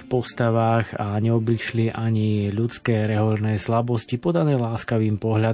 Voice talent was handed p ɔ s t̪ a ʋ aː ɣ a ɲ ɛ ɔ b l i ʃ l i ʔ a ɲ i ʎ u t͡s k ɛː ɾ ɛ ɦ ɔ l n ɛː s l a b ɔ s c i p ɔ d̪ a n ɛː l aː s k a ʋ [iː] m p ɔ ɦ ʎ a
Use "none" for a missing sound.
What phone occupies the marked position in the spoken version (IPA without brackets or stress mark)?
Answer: iː